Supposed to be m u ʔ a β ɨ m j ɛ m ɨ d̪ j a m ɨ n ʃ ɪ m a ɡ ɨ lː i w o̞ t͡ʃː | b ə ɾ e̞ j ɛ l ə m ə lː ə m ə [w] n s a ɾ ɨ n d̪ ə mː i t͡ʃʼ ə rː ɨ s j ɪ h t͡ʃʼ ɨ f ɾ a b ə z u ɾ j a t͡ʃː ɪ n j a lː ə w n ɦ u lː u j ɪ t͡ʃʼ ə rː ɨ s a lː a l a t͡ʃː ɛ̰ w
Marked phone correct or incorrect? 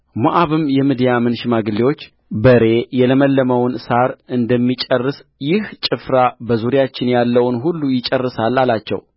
correct